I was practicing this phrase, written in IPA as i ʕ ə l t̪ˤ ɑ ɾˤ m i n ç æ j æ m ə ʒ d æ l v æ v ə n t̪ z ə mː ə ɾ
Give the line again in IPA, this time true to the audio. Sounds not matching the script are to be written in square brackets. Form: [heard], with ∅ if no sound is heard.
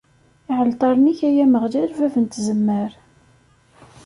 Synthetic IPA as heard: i ʕ ə l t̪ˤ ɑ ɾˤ [n] i [∅] ç æ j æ m ə [ʁ] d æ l v æ v ə n t̪ z ə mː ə ɾ